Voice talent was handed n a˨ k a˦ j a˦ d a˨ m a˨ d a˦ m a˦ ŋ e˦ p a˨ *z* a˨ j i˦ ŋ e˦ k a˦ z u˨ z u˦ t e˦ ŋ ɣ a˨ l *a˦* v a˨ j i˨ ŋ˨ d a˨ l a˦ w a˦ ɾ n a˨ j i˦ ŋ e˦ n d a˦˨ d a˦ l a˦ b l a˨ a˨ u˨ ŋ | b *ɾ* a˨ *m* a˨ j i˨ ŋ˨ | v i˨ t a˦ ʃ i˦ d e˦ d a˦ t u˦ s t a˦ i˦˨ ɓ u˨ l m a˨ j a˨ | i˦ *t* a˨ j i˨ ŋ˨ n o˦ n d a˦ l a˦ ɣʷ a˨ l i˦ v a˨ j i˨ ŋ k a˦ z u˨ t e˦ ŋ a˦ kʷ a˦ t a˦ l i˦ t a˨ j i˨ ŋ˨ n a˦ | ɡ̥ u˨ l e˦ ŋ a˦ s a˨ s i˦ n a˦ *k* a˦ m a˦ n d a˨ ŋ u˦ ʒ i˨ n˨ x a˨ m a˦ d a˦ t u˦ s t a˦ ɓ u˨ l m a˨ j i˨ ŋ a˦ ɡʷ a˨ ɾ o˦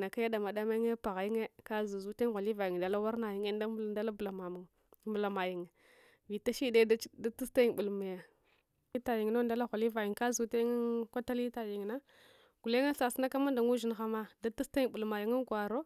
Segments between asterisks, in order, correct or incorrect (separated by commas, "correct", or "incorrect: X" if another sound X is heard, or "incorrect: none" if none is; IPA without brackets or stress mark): incorrect: ɣ, incorrect: i˦, incorrect: l, correct, correct, correct